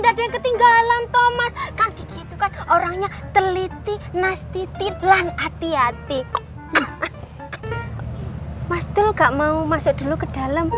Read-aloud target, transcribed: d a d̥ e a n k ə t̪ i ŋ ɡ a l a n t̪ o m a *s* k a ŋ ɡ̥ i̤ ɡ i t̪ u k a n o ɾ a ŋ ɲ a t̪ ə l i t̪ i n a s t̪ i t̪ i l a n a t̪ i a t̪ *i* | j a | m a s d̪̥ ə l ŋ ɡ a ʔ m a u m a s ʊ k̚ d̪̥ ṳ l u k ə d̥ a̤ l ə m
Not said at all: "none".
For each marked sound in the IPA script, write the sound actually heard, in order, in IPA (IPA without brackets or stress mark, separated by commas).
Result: s, i